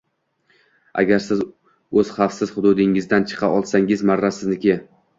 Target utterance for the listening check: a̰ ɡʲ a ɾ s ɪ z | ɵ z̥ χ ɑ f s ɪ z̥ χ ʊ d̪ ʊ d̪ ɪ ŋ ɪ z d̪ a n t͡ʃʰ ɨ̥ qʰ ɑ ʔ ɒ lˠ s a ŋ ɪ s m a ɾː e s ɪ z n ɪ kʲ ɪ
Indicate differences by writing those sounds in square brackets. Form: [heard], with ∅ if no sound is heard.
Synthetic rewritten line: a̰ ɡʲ a ɾ s ɪ z | ɵ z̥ χ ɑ f s ɪ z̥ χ ʊ d̪ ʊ d̪ ɪ ŋ ɪ z d̪ a n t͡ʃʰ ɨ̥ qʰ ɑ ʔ ɒ lˠ s a ŋ ɪ [z] m a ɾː [a] s ɪ z n ɪ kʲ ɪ